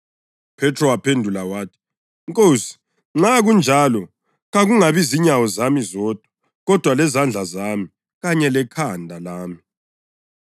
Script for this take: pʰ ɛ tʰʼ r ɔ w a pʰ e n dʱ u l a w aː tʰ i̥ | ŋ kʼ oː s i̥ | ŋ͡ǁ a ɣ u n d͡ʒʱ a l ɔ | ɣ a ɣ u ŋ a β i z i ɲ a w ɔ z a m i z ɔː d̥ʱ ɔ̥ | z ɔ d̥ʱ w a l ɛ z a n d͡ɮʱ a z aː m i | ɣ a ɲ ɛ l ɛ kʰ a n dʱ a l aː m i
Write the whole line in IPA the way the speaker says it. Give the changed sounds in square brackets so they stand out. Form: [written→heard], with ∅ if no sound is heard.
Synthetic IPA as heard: pʰ ɛ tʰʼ r ɔ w a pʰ e n dʱ u l a w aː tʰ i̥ | ŋ kʼ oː s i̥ | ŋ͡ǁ a ɣ u n d͡ʒʱ a l ɔ | ɣ a ɣ u ŋ a β i z i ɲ a w ɔ z a m i z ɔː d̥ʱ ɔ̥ | [z→ɣ] ɔ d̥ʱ w a l ɛ z a n d͡ɮʱ a z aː m i | ɣ a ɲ ɛ l ɛ kʰ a n dʱ a l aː m i